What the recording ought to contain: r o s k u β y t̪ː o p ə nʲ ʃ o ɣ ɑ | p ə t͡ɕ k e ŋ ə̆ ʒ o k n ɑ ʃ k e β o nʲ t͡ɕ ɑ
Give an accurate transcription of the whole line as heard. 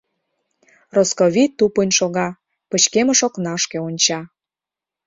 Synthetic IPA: r o s k o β i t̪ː u p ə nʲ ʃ o ɣ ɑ | p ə t͡ɕ k e m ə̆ ʃ o k n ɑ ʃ k e o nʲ t͡ɕ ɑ